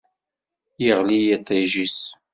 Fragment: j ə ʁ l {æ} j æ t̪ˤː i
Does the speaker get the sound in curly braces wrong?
yes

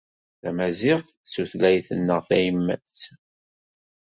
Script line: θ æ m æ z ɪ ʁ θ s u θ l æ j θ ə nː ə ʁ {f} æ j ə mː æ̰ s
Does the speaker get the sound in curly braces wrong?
yes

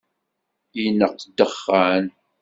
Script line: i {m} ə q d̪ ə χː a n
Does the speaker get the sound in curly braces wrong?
yes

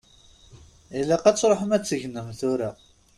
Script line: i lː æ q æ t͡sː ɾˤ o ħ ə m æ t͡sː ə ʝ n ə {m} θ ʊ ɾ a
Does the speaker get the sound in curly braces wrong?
no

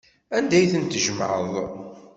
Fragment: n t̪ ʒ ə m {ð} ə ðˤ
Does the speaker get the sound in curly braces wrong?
yes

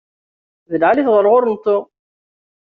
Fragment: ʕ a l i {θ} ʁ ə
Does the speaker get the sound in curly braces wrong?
no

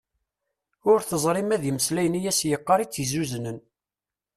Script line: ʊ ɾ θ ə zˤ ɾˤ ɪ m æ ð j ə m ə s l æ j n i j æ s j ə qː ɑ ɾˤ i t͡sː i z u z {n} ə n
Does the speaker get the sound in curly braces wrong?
no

